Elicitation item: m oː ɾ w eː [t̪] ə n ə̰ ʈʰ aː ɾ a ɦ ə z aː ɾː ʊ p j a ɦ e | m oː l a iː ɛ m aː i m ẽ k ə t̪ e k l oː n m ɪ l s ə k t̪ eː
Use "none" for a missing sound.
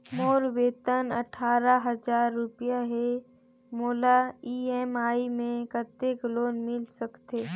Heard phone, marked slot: t̪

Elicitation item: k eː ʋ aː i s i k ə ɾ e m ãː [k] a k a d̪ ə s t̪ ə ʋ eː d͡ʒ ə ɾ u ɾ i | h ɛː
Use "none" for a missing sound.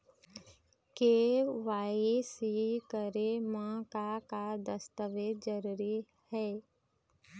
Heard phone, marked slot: k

